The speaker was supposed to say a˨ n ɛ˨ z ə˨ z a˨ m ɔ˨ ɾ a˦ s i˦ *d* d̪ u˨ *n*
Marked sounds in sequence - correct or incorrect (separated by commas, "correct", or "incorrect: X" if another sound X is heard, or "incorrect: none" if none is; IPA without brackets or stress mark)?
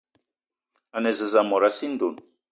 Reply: incorrect: n, correct